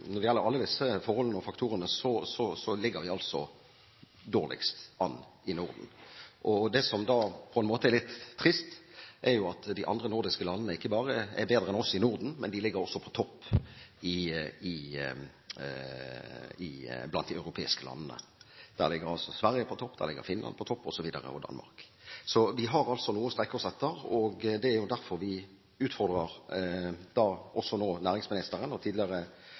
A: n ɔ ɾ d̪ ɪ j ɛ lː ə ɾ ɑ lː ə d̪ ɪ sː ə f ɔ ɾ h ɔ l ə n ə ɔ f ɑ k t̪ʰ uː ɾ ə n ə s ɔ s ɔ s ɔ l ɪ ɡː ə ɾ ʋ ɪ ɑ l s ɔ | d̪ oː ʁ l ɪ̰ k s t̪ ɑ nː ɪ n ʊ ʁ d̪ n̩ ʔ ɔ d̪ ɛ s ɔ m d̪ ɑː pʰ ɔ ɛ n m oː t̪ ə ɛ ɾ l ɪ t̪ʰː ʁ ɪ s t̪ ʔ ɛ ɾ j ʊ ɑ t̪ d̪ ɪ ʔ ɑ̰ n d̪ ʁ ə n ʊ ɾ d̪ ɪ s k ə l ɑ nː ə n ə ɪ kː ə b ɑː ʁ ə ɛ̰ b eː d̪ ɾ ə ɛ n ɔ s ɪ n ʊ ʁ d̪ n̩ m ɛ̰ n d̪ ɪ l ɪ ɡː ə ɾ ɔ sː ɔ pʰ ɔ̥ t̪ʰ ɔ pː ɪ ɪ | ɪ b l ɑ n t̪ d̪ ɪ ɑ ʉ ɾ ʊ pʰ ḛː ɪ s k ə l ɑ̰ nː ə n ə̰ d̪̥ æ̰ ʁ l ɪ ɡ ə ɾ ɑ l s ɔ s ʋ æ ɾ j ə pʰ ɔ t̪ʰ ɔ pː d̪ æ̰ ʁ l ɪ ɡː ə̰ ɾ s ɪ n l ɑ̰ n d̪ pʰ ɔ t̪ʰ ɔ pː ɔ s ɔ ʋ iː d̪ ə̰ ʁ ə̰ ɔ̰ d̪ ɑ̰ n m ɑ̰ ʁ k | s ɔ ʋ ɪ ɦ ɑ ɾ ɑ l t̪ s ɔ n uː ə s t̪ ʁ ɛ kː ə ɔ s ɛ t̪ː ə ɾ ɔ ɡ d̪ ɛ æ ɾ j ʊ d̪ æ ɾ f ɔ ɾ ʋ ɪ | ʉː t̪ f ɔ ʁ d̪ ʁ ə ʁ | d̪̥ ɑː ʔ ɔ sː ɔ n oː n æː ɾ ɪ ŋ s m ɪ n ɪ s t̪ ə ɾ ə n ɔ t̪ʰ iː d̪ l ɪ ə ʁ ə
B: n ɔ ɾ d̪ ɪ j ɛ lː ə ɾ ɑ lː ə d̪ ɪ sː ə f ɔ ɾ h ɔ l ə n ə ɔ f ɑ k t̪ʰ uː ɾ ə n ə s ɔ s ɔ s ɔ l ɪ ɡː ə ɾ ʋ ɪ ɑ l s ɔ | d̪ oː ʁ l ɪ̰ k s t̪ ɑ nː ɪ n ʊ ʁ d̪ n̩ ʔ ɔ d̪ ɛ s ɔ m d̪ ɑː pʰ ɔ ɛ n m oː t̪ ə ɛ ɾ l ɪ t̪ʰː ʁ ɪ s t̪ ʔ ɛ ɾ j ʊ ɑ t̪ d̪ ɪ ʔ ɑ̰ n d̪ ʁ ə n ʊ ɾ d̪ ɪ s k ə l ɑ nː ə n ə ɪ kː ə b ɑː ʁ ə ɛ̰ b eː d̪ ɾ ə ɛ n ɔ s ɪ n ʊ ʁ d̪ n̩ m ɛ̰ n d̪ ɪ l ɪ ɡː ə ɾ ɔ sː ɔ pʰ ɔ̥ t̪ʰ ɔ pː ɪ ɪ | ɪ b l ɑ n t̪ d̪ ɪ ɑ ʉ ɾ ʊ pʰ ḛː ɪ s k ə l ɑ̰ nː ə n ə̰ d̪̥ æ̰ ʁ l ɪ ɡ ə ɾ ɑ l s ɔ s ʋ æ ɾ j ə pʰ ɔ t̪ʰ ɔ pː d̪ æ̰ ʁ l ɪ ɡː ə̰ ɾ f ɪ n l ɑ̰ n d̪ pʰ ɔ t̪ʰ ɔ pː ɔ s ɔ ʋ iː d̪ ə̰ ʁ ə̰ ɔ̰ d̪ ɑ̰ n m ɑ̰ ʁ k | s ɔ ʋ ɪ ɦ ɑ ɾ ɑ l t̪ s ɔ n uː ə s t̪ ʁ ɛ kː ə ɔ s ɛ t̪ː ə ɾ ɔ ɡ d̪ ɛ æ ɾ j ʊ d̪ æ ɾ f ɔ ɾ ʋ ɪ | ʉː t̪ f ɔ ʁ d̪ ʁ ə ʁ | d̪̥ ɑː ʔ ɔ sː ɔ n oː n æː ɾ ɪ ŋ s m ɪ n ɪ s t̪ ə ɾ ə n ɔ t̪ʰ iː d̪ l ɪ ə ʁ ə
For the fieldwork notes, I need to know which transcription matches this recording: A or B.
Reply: B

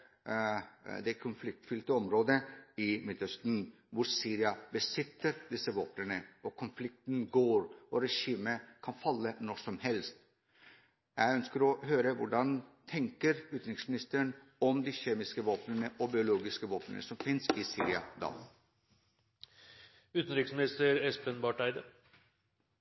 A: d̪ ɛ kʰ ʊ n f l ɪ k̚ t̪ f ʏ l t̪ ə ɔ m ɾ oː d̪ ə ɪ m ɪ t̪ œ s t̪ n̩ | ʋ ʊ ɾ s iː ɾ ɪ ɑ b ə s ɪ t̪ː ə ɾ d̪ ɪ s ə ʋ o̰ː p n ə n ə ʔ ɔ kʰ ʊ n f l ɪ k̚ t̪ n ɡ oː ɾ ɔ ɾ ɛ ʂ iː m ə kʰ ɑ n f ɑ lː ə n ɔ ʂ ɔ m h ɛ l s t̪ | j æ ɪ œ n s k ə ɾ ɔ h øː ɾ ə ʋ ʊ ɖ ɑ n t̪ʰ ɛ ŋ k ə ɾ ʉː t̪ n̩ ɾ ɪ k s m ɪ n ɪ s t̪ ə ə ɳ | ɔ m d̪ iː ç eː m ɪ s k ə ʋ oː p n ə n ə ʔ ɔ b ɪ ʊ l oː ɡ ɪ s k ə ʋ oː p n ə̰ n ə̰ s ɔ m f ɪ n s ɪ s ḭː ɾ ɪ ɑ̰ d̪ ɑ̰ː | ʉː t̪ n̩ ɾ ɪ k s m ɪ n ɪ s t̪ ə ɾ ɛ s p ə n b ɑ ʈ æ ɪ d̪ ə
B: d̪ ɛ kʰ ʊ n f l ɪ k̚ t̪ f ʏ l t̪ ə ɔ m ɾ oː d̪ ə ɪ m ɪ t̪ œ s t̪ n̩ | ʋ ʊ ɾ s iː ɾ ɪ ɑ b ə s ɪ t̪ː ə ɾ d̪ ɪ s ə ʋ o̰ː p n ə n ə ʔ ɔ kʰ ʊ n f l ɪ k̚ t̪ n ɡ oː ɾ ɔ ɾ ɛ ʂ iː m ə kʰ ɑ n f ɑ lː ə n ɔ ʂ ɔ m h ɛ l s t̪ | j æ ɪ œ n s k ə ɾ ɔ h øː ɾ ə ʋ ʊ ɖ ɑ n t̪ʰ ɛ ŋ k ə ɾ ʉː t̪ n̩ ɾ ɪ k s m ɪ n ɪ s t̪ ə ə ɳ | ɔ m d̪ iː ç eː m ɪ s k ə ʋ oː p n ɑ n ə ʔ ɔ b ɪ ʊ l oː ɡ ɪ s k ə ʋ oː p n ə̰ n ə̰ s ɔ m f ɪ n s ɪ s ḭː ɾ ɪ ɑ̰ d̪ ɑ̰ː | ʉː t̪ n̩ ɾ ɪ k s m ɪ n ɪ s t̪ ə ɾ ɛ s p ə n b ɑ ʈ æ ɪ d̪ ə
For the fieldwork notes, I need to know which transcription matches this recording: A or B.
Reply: A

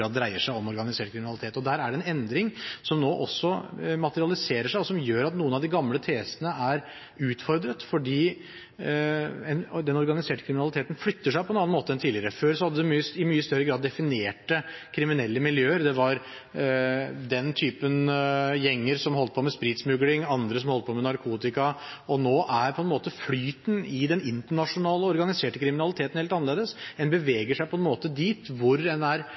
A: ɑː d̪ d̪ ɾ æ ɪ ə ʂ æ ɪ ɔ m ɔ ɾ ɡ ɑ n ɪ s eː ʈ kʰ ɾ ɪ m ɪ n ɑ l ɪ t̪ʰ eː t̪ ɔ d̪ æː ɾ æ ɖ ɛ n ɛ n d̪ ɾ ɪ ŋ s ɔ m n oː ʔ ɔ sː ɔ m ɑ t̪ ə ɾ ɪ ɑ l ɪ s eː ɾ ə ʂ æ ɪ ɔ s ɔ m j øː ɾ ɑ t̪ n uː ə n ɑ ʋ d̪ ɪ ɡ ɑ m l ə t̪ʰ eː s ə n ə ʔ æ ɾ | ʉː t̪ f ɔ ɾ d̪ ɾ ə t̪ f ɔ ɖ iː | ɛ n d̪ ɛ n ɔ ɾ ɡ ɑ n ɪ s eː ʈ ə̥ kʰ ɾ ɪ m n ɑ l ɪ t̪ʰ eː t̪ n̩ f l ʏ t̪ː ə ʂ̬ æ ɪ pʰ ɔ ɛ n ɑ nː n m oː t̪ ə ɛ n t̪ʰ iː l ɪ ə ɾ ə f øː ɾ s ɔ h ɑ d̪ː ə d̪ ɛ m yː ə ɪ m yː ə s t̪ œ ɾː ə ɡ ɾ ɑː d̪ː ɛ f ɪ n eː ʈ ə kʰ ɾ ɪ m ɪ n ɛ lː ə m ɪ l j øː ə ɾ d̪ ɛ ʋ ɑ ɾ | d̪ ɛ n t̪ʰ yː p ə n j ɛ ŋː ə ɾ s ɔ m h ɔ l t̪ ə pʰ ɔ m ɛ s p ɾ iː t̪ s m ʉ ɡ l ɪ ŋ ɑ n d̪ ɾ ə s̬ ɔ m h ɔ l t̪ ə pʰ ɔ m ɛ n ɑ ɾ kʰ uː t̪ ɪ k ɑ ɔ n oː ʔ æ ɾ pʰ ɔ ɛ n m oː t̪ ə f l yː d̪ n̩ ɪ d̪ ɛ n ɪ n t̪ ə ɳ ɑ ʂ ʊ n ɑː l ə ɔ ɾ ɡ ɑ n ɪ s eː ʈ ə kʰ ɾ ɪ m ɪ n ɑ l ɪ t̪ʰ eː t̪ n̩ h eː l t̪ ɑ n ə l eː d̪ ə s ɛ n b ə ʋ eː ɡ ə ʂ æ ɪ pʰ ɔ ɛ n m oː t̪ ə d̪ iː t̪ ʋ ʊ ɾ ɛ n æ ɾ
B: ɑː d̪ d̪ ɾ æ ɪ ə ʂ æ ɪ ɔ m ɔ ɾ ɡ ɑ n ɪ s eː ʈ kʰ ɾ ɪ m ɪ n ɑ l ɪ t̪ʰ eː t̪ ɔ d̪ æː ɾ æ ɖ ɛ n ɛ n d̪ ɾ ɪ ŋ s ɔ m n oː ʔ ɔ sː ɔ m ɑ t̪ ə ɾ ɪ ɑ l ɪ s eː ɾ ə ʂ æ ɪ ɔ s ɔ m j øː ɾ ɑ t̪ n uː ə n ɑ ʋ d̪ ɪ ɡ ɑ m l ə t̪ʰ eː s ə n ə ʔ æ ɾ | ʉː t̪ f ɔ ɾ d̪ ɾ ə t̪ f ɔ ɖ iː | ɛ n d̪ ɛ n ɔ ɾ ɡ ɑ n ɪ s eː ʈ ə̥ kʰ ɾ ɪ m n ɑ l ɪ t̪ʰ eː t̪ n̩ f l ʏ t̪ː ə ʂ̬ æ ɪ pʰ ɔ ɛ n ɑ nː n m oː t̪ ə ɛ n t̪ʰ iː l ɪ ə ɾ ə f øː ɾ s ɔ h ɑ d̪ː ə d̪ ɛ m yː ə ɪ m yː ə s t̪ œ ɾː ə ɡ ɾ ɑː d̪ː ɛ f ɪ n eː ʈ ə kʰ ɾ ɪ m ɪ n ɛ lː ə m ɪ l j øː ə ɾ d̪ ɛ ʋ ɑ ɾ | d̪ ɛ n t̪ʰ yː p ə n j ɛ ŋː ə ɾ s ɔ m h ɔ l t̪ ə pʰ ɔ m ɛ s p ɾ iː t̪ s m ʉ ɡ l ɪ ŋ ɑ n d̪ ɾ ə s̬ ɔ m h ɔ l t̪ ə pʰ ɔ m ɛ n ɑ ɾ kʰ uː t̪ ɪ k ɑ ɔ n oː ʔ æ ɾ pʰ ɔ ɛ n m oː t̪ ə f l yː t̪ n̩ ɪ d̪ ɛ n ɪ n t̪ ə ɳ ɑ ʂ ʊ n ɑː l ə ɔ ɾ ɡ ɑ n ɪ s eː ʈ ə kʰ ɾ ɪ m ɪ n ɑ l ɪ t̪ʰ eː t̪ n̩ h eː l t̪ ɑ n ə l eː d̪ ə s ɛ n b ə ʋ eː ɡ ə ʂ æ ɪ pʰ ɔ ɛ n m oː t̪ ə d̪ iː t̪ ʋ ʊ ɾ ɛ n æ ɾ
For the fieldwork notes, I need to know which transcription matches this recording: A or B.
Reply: B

